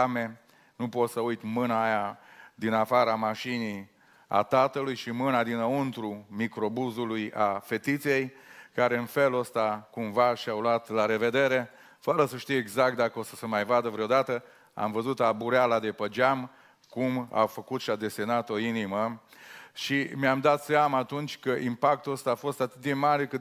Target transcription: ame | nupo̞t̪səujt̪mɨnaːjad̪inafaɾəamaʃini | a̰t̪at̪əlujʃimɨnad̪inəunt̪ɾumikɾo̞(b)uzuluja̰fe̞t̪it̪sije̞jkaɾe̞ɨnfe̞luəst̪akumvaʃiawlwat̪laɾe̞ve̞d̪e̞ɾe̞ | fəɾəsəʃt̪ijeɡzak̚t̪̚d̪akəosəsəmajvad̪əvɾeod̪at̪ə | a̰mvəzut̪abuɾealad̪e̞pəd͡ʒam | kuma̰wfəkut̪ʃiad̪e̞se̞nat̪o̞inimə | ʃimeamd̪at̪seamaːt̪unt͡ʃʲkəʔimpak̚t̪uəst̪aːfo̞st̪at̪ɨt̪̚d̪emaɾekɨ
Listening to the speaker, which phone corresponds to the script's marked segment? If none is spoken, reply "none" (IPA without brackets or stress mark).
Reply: b